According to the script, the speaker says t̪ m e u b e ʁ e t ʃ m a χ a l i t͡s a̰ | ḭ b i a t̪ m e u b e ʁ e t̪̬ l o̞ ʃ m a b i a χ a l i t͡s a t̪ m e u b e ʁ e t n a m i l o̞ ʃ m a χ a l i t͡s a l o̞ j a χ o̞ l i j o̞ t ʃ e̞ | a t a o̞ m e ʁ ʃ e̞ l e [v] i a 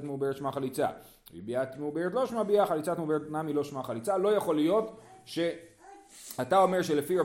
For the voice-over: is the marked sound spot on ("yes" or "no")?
no